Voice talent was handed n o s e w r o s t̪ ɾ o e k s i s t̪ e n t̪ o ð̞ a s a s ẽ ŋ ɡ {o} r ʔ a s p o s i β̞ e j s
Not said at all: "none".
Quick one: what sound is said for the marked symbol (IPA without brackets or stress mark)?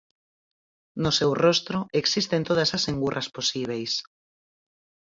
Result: u